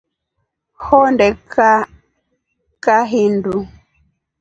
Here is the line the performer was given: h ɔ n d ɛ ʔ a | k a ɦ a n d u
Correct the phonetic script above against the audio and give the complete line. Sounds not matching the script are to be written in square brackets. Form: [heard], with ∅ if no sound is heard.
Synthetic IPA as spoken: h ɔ n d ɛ [k] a | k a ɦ [i] n d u